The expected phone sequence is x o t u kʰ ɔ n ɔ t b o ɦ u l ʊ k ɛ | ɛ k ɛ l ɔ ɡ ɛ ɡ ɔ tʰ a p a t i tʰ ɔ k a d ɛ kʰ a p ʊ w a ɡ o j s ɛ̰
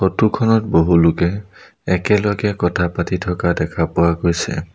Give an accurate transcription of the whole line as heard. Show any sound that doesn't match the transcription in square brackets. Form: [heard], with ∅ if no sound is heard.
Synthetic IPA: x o t u kʰ ɔ n ɔ t b o ɦ u l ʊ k ɛ | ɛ k ɛ l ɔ ɡ ɛ [k] ɔ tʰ a p a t i tʰ ɔ k a d ɛ kʰ a p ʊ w a ɡ o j s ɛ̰